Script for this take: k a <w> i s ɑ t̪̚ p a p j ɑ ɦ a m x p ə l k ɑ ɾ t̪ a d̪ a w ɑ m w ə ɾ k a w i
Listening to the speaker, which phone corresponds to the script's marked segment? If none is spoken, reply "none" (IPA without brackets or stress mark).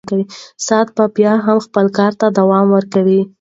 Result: w